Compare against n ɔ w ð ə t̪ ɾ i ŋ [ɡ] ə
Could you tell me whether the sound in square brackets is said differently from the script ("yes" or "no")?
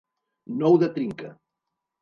yes